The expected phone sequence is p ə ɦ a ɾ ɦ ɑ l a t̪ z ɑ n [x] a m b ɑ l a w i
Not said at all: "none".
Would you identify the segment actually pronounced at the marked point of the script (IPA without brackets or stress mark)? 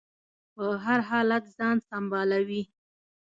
s